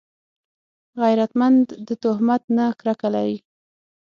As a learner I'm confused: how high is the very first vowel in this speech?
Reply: low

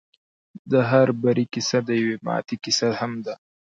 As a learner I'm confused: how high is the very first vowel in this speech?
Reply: mid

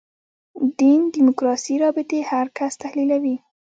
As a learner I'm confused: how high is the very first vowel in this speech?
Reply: high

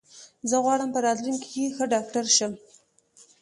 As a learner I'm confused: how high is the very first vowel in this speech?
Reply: mid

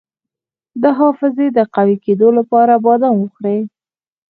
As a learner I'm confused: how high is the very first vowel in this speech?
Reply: mid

